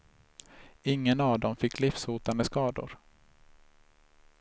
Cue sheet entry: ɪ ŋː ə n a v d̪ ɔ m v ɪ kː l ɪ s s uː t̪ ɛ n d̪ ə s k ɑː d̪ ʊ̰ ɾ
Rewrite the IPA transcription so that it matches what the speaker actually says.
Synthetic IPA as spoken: ɪ ŋː ə n a v d̪ ɔ m f ɪ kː l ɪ f s uː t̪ a n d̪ ə s k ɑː d̪ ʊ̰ ɾ